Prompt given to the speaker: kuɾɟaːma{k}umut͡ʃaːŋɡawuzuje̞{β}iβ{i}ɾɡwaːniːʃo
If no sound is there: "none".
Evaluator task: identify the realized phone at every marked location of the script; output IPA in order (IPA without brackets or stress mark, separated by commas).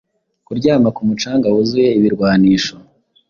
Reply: k, none, i